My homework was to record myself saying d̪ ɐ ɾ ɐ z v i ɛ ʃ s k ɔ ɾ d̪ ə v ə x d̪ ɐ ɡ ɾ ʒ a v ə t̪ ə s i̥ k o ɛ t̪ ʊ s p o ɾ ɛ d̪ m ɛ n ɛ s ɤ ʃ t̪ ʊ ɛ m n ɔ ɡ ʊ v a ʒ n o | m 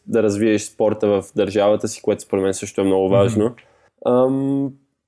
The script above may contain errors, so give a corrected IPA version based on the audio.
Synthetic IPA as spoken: d̪ ɐ ɾ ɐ z v i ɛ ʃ s p ɔ ɾ t̪ ə v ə f d̪ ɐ ɾ ʒ a v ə t̪ ə s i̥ k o ɛ t̪ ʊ s p o ɾ ɛ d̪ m ɛ n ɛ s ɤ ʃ t̪ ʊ ɛ m n ɔ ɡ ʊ v a ʒ n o | m